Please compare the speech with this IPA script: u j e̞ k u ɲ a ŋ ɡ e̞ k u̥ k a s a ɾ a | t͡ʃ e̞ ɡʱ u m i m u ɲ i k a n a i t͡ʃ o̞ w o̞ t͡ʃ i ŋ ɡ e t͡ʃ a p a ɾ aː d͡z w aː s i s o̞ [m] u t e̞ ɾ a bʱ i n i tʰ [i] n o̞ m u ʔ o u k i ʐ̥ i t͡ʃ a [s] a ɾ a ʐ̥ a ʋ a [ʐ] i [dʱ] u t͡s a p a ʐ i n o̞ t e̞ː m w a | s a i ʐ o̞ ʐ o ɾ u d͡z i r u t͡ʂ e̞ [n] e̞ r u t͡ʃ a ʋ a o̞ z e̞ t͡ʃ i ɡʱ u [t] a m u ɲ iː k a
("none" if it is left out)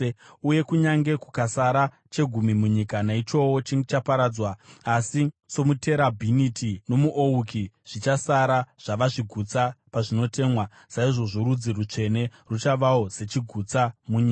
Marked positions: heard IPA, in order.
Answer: m, i, s, ʐ, ɡʱ, n, t͡s

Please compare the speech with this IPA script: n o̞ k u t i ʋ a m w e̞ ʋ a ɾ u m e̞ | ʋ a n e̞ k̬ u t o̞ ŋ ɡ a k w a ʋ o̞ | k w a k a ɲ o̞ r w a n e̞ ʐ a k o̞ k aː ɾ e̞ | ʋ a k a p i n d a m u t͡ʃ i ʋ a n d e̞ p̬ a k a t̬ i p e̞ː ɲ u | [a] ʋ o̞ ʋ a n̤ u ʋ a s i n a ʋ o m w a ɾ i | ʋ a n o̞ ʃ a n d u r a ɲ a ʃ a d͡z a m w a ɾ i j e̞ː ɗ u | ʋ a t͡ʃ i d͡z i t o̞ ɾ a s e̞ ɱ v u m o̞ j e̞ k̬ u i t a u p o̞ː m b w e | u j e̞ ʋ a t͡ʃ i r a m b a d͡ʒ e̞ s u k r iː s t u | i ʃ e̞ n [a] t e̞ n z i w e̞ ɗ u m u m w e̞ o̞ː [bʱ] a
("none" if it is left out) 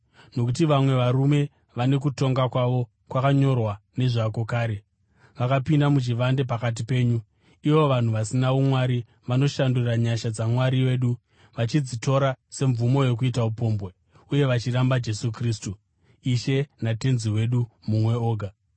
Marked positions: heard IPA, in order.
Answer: i, a, ɡʱ

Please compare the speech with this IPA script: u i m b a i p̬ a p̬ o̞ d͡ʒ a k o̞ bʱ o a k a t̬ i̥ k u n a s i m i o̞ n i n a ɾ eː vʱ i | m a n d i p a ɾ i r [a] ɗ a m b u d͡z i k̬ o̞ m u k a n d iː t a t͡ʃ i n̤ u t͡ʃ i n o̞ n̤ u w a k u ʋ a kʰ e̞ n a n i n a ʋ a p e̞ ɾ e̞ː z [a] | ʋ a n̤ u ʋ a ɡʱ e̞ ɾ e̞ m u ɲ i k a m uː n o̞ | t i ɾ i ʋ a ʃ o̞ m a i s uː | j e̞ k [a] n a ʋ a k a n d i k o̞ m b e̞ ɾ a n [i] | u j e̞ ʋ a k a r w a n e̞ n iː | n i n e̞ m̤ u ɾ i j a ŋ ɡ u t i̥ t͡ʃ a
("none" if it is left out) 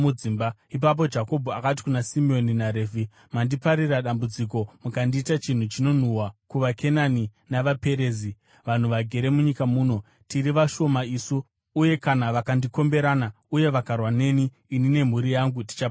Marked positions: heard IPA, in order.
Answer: a, i, a, a

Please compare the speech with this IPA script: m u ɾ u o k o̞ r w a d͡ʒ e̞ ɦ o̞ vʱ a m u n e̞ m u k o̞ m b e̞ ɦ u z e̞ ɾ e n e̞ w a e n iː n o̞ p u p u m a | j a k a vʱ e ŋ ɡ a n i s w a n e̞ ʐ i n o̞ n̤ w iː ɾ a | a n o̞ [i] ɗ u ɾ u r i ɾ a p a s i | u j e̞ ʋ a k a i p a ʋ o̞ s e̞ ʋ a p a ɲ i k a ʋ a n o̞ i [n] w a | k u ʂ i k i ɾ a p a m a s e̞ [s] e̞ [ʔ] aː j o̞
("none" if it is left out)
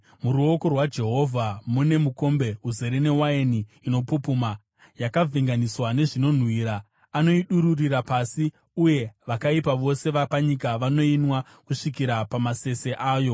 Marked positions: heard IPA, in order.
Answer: i, n, s, ʔ

